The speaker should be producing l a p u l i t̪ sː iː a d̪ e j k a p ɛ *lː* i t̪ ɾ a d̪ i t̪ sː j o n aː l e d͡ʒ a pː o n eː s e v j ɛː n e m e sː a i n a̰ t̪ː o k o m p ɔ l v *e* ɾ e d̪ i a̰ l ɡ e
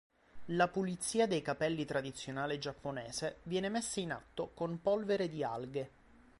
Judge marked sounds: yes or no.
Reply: yes, yes

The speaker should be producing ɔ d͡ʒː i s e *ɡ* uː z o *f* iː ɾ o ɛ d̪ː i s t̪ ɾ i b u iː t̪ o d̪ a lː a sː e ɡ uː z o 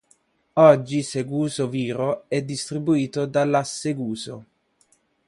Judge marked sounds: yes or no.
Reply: yes, no

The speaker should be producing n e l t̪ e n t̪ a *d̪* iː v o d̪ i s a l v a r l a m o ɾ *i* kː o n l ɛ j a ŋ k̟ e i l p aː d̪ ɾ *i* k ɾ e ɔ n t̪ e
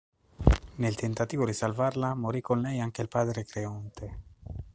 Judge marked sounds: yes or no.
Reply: no, yes, no

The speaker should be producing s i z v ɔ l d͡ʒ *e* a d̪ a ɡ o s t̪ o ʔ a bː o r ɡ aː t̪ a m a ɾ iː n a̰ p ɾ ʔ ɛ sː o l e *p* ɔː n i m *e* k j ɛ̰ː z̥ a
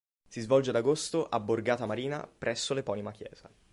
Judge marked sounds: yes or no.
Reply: yes, yes, no

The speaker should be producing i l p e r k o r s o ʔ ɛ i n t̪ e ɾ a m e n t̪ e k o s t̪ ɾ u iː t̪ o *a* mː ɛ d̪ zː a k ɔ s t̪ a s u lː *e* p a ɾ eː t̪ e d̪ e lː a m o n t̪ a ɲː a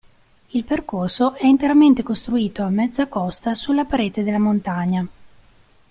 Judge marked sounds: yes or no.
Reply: yes, no

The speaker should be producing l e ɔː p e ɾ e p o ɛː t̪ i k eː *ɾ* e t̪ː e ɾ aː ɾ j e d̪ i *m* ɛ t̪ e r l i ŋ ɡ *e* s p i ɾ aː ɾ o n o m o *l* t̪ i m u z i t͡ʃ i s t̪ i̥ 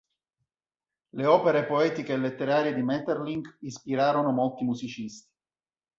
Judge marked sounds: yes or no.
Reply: no, yes, no, yes

